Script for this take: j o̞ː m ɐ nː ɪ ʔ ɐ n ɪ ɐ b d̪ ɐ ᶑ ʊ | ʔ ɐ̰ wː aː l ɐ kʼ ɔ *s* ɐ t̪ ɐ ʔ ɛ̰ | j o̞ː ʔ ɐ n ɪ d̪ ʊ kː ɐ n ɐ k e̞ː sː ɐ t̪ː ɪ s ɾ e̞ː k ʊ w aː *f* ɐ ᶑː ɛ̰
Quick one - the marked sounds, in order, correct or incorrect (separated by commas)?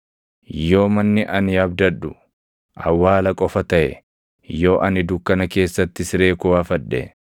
incorrect, correct